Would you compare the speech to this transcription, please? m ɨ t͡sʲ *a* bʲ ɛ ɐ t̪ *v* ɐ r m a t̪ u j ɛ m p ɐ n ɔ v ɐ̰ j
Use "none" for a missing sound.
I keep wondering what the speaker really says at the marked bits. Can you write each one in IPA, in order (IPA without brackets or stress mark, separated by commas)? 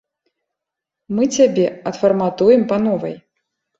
a, f